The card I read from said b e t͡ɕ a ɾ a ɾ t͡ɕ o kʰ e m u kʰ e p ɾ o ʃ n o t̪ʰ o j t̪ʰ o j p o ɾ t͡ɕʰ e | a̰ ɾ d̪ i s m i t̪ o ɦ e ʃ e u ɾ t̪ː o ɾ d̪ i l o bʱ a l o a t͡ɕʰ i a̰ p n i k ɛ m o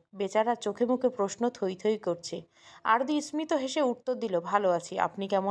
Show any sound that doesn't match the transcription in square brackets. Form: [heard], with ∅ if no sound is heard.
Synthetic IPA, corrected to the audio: b e t͡ɕ a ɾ a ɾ t͡ɕ o kʰ e m u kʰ e p ɾ o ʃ n o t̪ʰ o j t̪ʰ o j [k] o ɾ t͡ɕʰ e | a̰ ɾ d̪ i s m i t̪ o ɦ e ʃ e u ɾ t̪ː o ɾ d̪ i l o bʱ a l o a t͡ɕʰ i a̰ p n i k ɛ m o